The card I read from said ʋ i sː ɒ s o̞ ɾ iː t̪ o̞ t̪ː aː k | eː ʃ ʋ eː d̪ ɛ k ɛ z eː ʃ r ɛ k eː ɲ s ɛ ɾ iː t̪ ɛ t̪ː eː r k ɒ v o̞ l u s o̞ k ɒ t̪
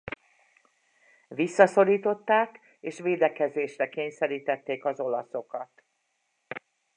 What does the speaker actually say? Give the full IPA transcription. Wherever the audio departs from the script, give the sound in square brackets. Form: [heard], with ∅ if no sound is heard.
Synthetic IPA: ʋ i sː ɒ s o̞ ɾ iː t̪ o̞ t̪ː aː k | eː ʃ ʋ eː d̪ ɛ k ɛ z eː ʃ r ɛ k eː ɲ s ɛ ɾ iː t̪ ɛ t̪ː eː [∅] k ɒ [z] o̞ l [ɒ] s o̞ k ɒ t̪